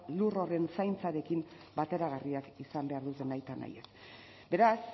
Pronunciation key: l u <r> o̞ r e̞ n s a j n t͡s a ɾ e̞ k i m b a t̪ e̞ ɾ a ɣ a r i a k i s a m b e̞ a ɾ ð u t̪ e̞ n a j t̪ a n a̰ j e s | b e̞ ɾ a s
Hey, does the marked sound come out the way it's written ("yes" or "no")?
yes